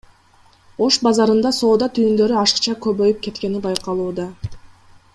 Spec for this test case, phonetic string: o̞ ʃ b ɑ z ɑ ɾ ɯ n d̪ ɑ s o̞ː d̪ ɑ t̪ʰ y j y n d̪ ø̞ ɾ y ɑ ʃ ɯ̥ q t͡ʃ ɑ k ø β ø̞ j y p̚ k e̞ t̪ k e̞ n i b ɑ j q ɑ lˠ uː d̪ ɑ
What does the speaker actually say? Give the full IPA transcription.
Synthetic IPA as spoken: o̞ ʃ b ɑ z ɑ ɾ ɯ n d̪ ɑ s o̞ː d̪ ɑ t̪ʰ y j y n d̪ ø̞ ɾ y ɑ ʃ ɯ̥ q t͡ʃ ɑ k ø β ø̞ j y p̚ k e̞ t̪ k e̞ n i b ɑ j q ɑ lˠ uː d̪ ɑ